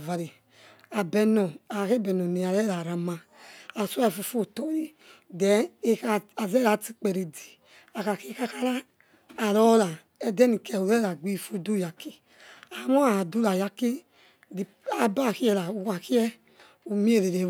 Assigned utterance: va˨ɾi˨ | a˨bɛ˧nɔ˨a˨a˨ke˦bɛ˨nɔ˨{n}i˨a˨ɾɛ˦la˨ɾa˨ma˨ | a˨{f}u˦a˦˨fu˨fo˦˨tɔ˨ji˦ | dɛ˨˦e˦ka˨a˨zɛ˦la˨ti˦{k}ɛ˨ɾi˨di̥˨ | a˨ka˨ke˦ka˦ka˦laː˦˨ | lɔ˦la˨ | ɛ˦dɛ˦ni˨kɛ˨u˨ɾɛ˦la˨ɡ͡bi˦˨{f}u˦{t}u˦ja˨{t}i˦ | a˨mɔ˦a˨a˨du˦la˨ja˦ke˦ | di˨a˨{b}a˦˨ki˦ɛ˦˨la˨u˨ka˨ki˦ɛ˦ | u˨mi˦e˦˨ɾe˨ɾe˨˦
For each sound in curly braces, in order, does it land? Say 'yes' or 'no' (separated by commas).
yes, no, no, yes, no, no, yes